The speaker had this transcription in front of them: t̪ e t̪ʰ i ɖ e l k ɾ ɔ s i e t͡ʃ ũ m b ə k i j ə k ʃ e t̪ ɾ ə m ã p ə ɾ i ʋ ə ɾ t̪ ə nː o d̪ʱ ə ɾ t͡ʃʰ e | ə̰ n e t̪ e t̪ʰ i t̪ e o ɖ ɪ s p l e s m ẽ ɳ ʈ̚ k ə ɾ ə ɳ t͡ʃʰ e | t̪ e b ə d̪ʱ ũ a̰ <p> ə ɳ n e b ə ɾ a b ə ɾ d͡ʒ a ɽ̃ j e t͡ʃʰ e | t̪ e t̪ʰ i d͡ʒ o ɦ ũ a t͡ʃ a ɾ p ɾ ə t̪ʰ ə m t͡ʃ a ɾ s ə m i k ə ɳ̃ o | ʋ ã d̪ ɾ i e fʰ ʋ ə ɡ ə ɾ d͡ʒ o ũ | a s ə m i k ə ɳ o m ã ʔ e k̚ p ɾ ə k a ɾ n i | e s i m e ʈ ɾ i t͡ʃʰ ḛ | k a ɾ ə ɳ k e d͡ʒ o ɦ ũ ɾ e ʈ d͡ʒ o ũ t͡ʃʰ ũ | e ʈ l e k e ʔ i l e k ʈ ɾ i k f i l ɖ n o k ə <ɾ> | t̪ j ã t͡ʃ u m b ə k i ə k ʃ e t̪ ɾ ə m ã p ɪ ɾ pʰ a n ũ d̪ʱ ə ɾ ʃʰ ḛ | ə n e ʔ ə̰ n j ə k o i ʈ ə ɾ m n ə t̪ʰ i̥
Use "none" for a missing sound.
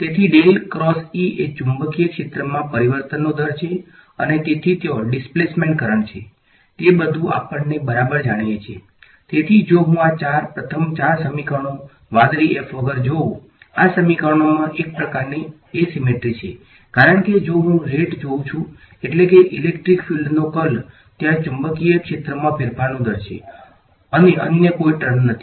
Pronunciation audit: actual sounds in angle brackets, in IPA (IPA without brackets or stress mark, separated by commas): p, l